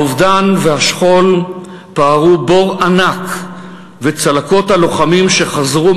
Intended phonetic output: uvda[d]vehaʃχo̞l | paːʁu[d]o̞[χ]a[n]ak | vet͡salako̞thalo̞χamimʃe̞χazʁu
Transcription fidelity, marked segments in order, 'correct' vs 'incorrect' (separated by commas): incorrect, incorrect, incorrect, correct